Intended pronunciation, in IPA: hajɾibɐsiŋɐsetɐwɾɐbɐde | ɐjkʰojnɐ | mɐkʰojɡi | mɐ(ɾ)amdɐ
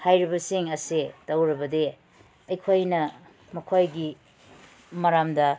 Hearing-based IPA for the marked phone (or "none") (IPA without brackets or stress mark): ɾ